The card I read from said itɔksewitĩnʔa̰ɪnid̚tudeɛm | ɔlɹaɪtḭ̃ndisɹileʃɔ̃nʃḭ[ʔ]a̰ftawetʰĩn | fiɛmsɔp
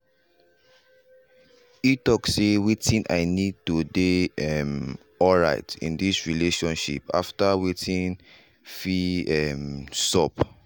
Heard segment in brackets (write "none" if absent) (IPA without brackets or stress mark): p